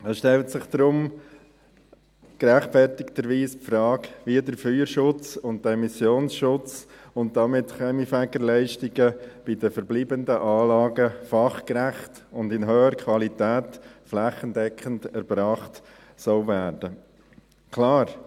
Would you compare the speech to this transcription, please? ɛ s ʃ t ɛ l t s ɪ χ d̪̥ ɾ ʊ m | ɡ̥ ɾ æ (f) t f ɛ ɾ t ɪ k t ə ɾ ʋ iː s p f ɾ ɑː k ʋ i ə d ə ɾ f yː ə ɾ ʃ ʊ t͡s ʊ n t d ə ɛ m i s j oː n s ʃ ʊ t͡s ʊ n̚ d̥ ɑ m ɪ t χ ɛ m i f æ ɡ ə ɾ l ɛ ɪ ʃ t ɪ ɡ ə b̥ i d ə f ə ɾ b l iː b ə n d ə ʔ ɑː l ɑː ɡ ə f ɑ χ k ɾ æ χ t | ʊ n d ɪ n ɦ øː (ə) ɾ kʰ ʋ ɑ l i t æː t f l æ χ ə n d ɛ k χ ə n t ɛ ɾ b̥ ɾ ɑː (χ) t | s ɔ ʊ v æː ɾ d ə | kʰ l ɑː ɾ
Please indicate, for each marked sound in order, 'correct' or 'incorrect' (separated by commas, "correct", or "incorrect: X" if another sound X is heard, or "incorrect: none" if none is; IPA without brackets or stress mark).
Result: incorrect: χ, correct, correct